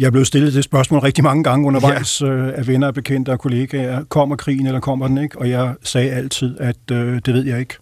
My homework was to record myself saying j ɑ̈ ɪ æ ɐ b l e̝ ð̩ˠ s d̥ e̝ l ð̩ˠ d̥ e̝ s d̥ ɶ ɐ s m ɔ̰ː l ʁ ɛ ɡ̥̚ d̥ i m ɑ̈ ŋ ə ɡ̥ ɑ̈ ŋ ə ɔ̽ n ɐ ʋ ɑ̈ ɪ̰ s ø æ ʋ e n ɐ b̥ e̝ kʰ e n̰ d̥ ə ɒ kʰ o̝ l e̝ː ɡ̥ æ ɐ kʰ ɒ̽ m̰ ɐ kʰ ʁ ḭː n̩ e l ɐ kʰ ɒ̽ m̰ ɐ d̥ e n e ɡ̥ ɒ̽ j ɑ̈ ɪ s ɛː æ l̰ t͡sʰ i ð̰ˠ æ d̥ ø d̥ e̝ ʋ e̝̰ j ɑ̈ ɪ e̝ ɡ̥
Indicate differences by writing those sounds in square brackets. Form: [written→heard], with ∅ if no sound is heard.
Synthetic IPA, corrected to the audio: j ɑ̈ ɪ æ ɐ b l e̝ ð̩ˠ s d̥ e̝ l ð̩ˠ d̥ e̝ s [d̥→b̥] ɶ ɐ s m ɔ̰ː l ʁ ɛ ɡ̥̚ d̥ i m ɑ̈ ŋ ə ɡ̥ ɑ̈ ŋ ə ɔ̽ n ɐ ʋ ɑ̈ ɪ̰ s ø æ ʋ e n ɐ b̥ e̝ kʰ e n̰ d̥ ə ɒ kʰ o̝ l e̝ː ɡ̥ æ ɐ kʰ ɒ̽ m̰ ɐ kʰ ʁ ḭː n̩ e l ɐ kʰ ɒ̽ m̰ ɐ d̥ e n e ɡ̥ ɒ̽ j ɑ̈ ɪ s ɛː æ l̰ t͡sʰ i ð̰ˠ æ d̥ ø d̥ e̝ ʋ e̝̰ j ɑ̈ ɪ e̝ ɡ̥